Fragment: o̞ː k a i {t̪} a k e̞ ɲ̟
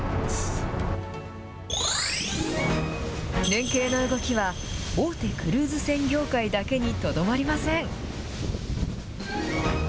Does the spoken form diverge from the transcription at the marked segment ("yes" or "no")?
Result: yes